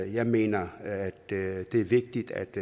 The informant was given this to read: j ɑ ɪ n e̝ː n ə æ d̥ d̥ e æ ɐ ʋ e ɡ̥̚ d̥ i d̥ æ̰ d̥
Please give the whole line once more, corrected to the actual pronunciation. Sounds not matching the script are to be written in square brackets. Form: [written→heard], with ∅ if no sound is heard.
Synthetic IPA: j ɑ ɪ [n→m] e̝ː n [ə→ɐ] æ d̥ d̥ e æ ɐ ʋ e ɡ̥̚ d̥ i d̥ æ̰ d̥